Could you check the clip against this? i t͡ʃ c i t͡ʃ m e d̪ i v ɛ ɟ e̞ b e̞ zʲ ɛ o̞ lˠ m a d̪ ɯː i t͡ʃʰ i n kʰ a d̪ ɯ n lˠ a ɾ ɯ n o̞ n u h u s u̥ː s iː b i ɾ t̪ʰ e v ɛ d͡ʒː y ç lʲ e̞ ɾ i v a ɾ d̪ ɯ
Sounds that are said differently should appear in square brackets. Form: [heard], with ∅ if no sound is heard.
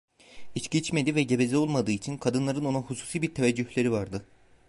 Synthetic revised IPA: i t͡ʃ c i t͡ʃ m e d̪ i v ɛ ɟ e̞ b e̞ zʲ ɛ o̞ lˠ m a d̪ ɯː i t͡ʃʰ i n kʰ a d̪ ɯ n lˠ a ɾ ɯ n o̞ n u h u s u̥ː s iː b i ɾ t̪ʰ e v ɛ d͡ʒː y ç lʲ e̞ ɾ i v a ɾ d̪ ɯ